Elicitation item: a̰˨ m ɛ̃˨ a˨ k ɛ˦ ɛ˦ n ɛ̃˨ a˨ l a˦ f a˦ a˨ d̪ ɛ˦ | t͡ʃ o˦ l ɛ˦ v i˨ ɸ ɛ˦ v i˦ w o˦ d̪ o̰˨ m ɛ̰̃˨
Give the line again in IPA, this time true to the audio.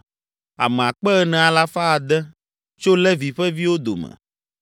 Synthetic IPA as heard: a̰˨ m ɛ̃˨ a˨ k͡p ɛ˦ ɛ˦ n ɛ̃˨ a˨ l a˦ f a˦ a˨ d̪ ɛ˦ | t͡ʃ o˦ l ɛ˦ v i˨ ɸ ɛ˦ v i˦ w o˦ d̪ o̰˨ m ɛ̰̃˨